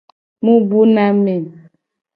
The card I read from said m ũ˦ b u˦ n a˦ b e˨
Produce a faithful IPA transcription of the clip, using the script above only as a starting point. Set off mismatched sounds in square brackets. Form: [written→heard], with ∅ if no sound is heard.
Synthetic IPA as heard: m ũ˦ b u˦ n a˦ [b→m] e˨